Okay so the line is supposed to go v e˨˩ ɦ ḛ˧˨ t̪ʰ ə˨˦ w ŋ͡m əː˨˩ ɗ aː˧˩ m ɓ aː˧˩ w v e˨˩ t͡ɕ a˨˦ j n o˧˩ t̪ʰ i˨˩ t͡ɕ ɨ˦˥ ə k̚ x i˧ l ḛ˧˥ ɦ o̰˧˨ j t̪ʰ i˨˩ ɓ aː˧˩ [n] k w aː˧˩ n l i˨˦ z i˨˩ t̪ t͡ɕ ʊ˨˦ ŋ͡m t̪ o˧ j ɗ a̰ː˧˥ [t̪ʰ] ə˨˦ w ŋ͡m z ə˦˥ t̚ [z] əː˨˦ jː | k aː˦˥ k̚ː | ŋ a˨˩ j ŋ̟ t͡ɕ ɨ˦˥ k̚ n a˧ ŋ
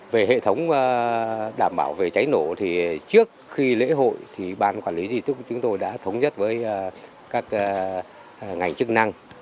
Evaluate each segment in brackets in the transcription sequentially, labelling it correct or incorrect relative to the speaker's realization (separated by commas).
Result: correct, correct, incorrect